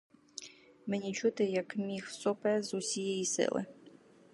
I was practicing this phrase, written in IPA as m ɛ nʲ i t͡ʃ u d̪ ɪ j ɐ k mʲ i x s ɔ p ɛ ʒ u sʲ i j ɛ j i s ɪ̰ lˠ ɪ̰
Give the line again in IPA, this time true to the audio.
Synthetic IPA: m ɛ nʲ i t͡ʃ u t̪ ɪ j ɐ k mʲ i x s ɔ p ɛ z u sʲ i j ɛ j i s ɪ̰ lˠ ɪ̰